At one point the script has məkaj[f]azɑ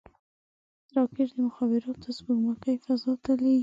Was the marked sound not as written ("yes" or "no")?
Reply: no